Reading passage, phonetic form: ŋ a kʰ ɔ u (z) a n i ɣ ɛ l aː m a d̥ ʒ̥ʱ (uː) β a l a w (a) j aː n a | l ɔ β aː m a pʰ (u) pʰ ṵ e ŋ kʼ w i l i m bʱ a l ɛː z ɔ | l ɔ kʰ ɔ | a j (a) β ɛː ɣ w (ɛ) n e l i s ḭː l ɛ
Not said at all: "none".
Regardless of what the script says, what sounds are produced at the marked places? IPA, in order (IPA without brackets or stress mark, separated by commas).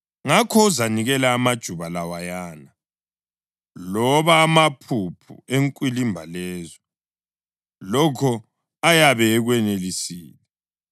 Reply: z, u, a, u, a, ɛ